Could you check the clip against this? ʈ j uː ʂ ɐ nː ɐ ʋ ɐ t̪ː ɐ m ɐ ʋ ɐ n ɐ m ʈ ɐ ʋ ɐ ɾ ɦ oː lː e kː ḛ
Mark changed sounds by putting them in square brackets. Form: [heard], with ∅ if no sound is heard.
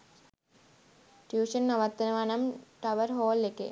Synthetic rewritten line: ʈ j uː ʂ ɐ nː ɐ ʋ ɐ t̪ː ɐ [n] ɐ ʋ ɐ n ɐ m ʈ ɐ ʋ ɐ ɾ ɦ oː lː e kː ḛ